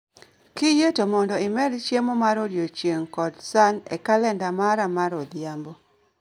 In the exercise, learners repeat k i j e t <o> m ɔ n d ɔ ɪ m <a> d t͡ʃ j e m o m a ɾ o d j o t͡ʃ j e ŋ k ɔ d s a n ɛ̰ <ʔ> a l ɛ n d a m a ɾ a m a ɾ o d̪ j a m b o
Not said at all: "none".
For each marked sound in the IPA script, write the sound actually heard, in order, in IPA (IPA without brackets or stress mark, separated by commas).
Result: o, ɛ, k